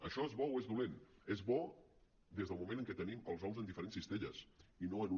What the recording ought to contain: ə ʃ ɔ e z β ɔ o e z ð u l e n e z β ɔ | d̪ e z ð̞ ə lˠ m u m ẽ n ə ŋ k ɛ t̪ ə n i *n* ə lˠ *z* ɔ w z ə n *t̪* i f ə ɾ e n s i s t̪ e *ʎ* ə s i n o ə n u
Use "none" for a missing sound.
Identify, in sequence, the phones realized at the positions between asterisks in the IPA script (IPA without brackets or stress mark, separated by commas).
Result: m, z, d̪, ʎ